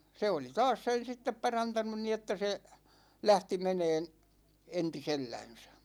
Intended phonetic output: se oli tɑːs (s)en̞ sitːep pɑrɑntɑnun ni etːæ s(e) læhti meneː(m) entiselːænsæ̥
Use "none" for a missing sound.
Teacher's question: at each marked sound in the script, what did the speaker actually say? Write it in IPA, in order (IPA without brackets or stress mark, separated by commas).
s, e, n